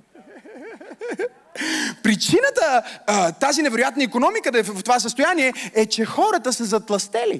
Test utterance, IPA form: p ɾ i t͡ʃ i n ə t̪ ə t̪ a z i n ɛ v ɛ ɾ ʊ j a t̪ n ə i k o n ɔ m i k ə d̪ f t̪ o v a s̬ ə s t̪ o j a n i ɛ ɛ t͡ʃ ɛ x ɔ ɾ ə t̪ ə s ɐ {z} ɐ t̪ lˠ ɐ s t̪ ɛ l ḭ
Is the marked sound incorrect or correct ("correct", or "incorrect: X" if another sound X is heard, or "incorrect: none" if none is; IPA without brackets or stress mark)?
correct